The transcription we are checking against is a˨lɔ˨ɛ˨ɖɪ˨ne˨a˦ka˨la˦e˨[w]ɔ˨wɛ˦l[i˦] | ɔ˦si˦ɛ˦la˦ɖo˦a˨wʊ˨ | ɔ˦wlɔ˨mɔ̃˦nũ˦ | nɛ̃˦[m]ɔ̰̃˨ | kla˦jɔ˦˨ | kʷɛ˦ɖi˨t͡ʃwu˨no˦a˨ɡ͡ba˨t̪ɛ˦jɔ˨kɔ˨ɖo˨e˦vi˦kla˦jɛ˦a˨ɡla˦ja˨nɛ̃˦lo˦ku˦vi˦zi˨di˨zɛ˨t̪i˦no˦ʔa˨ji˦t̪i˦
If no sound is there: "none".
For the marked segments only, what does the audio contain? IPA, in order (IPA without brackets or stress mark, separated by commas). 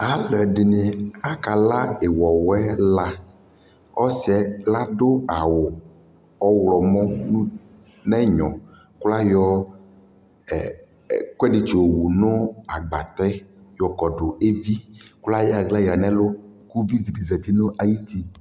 w, a˦, ɲ